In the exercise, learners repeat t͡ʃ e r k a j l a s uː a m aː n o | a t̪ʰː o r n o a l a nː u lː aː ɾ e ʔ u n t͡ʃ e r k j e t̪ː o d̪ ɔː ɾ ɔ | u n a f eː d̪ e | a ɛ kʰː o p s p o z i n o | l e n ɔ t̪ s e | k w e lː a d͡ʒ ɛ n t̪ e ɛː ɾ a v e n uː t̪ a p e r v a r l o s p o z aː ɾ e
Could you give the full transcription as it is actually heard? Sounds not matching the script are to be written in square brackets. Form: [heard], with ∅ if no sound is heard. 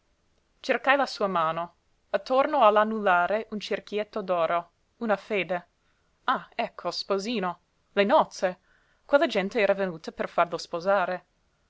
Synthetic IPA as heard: t͡ʃ e r k a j l a s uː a m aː n o | a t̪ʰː o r n o a l a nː u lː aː ɾ e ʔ u n t͡ʃ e r k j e t̪ː o d̪ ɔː ɾ [o] | u n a f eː d̪ e | a ɛ kʰː o [∅] s p o z [iː] n o | l e n ɔ t̪ s e | k w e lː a d͡ʒ ɛ n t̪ e ɛː ɾ a v e n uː t̪ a p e r [f] a r l o s p o z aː ɾ e

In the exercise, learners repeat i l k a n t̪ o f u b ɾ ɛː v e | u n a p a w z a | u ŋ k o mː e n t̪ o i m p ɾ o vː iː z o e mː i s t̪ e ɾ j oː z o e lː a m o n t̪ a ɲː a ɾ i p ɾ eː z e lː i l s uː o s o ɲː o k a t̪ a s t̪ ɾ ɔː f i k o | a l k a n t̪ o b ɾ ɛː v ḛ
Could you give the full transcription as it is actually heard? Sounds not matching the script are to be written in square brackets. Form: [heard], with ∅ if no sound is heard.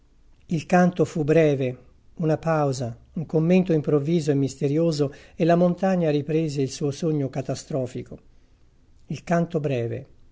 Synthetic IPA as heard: i l k a n t̪ o f u b ɾ ɛː v e | u n a p a w z a | u ŋ k o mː e n t̪ o i m p ɾ o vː iː z o e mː i s t̪ e ɾ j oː z o e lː a m o n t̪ a ɲː a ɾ i p ɾ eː z e [∅] i l s uː o s o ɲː o k a t̪ a s t̪ ɾ ɔː f i k o | [i] l k a n t̪ o b ɾ ɛː v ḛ

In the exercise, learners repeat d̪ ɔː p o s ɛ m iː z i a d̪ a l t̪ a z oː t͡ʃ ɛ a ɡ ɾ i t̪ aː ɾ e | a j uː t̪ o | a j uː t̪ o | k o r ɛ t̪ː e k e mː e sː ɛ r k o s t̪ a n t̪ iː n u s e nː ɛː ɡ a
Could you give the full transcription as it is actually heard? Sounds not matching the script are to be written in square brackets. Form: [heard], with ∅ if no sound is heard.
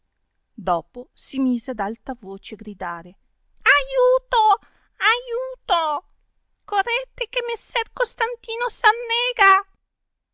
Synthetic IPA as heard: d̪ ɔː p o s [i] m iː z [e] a d̪ a l t̪ a [v] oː t͡ʃ [e] a ɡ ɾ i [d̪] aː ɾ e | a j uː t̪ o | a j uː t̪ o | k o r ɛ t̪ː e k e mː e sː ɛ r k o s t̪ a n t̪ iː n [o] s [a] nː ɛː ɡ a

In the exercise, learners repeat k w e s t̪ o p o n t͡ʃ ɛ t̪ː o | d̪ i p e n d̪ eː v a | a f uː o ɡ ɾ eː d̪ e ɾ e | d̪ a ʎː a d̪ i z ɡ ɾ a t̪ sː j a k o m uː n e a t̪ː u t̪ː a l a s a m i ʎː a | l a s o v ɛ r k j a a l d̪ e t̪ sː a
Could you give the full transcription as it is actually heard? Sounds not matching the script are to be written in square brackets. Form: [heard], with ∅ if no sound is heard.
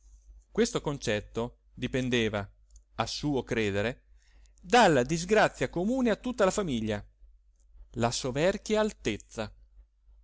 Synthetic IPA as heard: k w e s t̪ o [k] o n t͡ʃ ɛ t̪ː o | d̪ i p e n d̪ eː v a | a [s] uː o [k] ɾ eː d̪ e ɾ e | d̪ a [lː] a d̪ i z ɡ ɾ a t̪ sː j a k o m uː n e a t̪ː u t̪ː a l a [f] a m i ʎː a | l a s o v ɛ r k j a a l [t̪] e t̪ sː a

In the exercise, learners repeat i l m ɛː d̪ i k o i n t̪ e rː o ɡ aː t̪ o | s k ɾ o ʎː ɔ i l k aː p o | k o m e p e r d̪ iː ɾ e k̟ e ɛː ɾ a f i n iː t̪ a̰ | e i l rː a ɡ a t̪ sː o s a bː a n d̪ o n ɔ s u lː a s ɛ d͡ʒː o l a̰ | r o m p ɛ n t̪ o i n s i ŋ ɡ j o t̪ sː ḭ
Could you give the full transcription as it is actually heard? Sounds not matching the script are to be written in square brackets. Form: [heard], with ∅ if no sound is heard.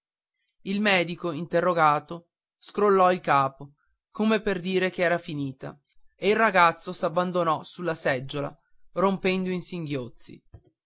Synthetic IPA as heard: i l m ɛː d̪ i k o i n t̪ e rː o ɡ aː t̪ o | s k ɾ o [lː] ɔ i l k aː p o | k o m e p e r d̪ iː ɾ e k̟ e ɛː ɾ a f i n iː t̪ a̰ | e i l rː a ɡ a t̪ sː o s a bː a n d̪ o n ɔ s u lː a s ɛ d͡ʒː o l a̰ | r o m p ɛ n [d̪] o i n s i ŋ ɡ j o t̪ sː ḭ

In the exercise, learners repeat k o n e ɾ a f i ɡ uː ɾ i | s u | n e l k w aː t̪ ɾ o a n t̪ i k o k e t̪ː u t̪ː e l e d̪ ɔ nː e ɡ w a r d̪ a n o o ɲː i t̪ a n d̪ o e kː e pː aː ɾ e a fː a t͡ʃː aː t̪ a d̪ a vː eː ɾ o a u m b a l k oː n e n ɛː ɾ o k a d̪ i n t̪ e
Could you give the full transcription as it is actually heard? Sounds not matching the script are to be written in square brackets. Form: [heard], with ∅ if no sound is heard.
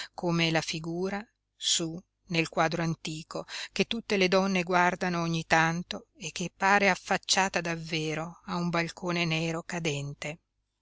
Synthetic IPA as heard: k o [m] e [l] a f i ɡ uː ɾ [a] | s u | n e l k w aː [d̪] ɾ o a n t̪ [iː] k o k e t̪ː u t̪ː e l e d̪ ɔ nː e ɡ w a r d̪ a n o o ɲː i t̪ a n [t̪] o e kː e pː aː ɾ e a fː a t͡ʃː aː t̪ a d̪ a vː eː ɾ o a u m b a l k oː n e n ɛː ɾ o k a d̪ [ɛ] n t̪ e

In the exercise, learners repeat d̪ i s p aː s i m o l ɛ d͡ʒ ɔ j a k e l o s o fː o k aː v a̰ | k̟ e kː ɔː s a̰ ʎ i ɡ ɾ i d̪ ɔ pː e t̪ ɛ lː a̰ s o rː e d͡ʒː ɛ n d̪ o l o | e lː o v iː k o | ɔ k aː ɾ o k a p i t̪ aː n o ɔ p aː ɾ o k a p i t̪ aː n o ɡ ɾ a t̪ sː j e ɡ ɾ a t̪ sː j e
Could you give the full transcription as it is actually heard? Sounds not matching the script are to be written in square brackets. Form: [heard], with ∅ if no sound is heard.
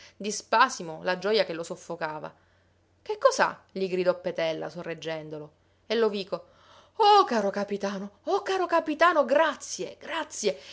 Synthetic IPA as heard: d̪ i s p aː s i m o l [a] d͡ʒ ɔ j a k e l o s o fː o k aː v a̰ | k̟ e kː [ɔ] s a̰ ʎ i ɡ ɾ i d̪ ɔ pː e t̪ ɛ lː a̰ s o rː e d͡ʒː ɛ n d̪ o l o | e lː o v iː k o | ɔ k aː ɾ o k a p i t̪ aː n o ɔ [k] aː ɾ o k a p i t̪ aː n o ɡ ɾ a t̪ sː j e ɡ ɾ a t̪ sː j e

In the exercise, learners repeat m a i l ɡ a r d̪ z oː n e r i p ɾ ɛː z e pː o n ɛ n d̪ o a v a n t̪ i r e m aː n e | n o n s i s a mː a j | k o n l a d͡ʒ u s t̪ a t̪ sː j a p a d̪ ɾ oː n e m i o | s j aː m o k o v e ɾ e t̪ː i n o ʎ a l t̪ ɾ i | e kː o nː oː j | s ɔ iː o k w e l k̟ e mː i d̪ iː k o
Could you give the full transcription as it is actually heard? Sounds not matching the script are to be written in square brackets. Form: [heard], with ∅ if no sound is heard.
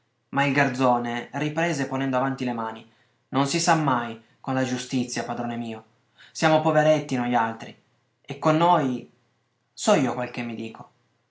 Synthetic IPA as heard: m a i l ɡ a r d̪ z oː n e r i p ɾ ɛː z e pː o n ɛ n d̪ o a v a n t̪ i [l] e m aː n [i] | n o n s i s a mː a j | k o n l a d͡ʒ u s t̪ [i] t̪ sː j a p a d̪ ɾ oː n e m [iː] o | s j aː m o [p] o v e ɾ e t̪ː i n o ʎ a l t̪ ɾ i | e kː o nː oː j | s ɔ iː o k w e l k̟ e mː i d̪ iː k o

